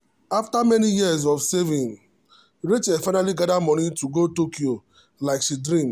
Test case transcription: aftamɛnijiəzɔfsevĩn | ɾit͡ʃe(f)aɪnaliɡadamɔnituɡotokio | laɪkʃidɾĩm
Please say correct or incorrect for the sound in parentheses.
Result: correct